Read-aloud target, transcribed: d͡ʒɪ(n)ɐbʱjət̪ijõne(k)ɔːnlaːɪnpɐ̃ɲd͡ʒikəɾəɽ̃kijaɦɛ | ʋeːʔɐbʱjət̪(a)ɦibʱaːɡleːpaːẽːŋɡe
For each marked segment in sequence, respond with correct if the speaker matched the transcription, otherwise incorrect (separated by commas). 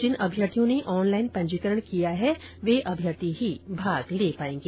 correct, incorrect, incorrect